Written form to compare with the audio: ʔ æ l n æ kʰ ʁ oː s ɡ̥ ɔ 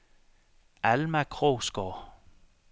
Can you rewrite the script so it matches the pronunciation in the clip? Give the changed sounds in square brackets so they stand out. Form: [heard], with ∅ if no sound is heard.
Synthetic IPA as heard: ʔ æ l [m] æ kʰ ʁ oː s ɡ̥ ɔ